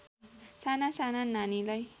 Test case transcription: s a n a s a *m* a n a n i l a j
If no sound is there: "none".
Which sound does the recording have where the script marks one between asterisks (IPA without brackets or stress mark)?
n